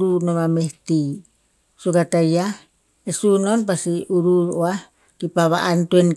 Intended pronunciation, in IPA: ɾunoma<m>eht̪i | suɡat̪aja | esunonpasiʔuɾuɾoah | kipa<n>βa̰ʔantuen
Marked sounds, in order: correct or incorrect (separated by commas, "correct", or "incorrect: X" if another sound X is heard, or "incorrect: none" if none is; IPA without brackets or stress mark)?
correct, incorrect: none